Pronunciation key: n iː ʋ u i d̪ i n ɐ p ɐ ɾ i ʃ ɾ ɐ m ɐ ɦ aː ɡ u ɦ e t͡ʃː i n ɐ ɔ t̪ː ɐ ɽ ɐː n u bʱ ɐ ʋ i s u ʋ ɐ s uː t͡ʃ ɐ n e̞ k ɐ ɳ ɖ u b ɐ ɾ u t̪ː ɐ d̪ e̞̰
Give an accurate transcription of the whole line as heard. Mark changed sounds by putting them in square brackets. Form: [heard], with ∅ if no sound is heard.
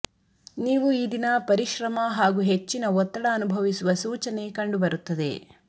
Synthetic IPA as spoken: n iː ʋ u i d̪ i n ɐ p ɐ ɾ i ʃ ɾ ɐ m ɐ ɦ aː ɡ u ɦ e t͡ʃː i n ɐ ɔ t̪ː ɐ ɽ ɐː n u bʱ ɐ ʋ i s u ʋ ɐ s uː t͡ʃ ɐ n e̞ k ɐ ɳ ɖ u b ɐ ɾ u t̪ː ɐ d̪ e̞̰